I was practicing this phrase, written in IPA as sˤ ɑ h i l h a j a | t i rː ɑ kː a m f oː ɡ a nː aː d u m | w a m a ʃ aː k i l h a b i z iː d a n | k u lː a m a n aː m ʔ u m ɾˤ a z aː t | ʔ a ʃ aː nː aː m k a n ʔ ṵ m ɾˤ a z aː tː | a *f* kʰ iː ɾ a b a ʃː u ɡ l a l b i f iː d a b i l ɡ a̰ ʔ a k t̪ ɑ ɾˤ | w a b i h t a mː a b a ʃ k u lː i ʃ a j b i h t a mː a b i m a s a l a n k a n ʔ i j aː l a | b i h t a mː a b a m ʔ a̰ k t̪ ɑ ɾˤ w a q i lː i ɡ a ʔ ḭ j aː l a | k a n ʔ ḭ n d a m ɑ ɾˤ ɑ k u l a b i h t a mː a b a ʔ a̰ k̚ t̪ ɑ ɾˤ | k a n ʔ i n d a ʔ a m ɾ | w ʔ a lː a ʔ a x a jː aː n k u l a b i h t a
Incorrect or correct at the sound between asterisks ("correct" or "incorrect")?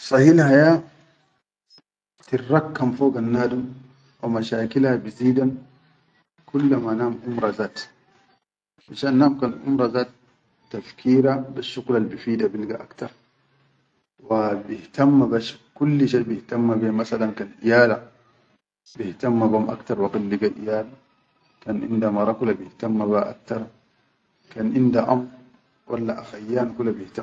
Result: correct